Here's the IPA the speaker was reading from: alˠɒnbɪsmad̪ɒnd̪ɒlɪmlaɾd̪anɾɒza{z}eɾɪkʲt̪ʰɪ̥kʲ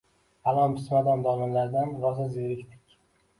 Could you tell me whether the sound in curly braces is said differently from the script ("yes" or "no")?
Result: no